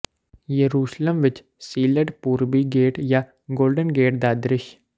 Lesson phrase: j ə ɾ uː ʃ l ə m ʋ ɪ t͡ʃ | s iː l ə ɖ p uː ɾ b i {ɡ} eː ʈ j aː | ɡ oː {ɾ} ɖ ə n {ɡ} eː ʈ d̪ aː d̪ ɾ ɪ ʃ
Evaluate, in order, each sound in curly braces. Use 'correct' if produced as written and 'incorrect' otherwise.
correct, incorrect: l, correct

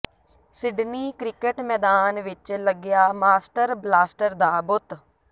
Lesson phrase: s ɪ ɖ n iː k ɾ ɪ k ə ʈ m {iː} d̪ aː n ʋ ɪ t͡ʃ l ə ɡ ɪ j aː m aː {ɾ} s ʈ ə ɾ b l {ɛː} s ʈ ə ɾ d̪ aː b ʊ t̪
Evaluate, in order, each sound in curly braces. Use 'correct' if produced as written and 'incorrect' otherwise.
incorrect: ɛː, incorrect: none, incorrect: aː

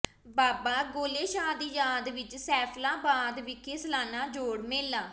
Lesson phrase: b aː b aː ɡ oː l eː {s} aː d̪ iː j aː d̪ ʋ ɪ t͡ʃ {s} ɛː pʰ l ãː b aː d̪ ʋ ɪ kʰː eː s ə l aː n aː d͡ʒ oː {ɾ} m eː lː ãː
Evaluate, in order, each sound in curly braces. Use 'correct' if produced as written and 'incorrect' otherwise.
incorrect: ʃ, correct, incorrect: ɽ

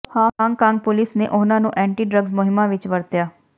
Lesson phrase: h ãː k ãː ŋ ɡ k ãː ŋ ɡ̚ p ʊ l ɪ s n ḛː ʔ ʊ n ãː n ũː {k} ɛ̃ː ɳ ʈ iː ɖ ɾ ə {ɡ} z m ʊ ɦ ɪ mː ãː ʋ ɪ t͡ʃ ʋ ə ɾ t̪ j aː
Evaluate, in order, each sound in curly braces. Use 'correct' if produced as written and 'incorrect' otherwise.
incorrect: ʔ, correct

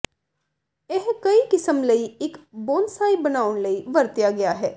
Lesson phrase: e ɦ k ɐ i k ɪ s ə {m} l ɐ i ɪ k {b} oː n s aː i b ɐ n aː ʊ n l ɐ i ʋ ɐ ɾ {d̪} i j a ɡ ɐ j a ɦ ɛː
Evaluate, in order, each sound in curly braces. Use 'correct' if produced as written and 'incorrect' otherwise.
correct, correct, incorrect: t̪

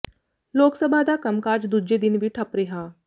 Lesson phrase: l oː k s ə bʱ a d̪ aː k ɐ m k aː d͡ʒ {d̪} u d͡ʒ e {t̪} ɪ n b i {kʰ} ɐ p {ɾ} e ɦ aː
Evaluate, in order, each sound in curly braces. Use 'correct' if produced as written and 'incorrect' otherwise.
correct, incorrect: d̪, incorrect: ʈʰ, correct

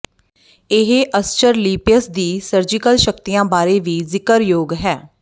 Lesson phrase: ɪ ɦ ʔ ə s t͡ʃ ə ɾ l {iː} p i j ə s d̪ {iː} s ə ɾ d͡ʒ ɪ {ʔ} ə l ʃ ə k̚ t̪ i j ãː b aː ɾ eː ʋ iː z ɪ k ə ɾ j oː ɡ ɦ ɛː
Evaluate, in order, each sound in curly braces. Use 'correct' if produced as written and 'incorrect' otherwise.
correct, correct, incorrect: k

